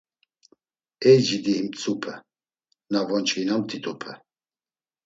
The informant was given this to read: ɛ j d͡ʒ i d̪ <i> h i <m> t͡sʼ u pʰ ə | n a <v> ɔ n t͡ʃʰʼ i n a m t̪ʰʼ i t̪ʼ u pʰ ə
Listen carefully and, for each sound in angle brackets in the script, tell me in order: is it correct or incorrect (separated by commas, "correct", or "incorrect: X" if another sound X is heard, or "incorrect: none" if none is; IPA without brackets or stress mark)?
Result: correct, correct, correct